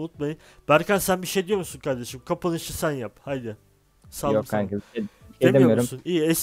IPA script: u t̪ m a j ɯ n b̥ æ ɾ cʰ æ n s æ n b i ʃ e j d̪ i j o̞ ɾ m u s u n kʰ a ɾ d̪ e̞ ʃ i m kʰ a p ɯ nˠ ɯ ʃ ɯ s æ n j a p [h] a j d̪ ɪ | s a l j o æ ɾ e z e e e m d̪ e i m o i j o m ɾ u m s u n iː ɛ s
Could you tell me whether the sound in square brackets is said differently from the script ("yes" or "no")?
no